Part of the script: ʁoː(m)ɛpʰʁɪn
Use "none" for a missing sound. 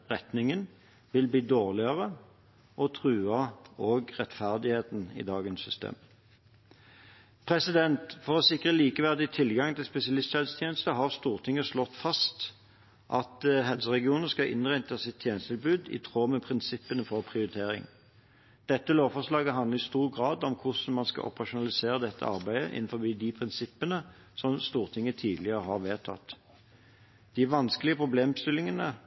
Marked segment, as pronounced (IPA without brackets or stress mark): m